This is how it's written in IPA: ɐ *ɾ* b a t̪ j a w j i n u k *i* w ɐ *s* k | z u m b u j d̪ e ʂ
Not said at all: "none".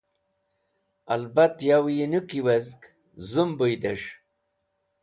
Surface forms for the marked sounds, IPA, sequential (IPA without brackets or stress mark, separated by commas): l, i, z